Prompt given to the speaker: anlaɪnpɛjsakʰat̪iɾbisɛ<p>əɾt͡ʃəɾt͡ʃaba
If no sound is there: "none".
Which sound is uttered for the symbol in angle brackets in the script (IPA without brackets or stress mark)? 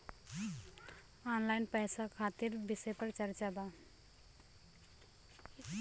p